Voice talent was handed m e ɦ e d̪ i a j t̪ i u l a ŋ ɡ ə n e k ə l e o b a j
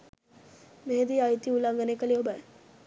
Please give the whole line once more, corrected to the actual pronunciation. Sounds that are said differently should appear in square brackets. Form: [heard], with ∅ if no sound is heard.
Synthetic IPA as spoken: m e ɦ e d̪ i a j t̪ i u l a ŋ ɡ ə n e k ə l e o b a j